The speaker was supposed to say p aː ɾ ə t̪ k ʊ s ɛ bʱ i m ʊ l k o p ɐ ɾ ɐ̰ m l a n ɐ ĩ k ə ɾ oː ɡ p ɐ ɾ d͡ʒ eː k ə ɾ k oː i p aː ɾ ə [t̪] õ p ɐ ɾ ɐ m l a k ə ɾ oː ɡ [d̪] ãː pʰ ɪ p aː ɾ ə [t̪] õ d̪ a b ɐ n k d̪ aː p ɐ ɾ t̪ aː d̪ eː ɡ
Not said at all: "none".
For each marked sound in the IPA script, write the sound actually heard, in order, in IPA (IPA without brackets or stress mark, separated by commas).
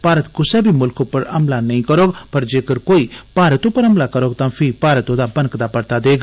t̪, t̪, t̪